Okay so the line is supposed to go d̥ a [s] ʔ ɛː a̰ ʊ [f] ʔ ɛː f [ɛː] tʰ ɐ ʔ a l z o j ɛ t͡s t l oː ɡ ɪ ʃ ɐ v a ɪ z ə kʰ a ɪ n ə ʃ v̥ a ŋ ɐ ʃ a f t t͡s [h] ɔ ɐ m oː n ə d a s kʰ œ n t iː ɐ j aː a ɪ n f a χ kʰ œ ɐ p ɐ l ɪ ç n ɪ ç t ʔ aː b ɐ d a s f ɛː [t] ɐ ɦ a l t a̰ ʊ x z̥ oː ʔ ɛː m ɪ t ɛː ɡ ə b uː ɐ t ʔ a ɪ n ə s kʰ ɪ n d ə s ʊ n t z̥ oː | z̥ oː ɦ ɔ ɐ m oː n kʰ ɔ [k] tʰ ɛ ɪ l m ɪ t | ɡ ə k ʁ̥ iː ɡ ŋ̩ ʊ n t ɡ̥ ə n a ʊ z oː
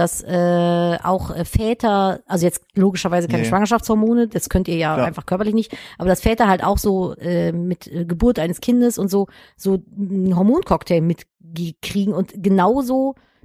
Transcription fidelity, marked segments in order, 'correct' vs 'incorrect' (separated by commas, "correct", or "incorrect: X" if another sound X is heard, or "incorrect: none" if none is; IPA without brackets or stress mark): correct, incorrect: x, correct, correct, correct, correct